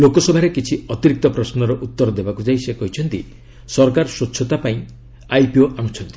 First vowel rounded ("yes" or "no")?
yes